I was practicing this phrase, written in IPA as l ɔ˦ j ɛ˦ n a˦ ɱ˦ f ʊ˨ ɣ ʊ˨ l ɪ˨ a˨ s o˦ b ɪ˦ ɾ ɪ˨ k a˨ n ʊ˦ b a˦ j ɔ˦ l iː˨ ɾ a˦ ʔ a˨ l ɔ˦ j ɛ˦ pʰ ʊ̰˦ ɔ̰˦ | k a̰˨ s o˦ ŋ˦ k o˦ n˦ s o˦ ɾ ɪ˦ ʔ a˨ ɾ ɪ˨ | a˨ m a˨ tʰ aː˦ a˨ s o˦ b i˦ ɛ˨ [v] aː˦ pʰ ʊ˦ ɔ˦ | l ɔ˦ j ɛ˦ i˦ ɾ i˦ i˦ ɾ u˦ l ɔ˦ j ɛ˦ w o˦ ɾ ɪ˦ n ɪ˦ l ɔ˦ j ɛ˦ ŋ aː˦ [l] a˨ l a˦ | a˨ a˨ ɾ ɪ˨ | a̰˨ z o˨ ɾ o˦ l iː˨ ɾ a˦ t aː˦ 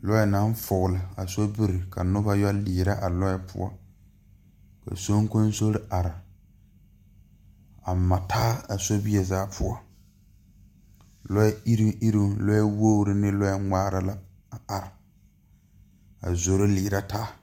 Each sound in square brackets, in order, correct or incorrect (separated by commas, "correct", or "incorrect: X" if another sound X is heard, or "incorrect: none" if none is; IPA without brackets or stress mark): incorrect: z, incorrect: ɾ